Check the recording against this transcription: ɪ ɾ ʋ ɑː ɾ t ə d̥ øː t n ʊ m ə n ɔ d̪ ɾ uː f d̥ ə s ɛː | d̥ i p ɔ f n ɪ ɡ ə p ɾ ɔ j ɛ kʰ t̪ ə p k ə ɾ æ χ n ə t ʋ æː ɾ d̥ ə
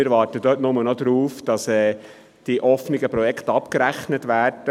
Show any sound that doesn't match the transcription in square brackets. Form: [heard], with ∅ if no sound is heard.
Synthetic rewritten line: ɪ ɾ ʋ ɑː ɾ t ə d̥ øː t n ʊ m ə n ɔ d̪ ɾ uː f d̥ [ɑ] s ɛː | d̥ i [ʔ] ɔ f n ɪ ɡ ə p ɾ ɔ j ɛ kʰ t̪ [ɑ] p k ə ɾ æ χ n ə t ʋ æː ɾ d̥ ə